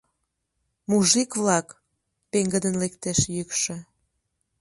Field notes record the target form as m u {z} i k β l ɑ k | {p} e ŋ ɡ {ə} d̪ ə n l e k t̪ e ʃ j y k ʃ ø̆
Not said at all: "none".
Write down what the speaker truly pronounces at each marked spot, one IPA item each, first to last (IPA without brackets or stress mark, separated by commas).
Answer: ʒ, p, ə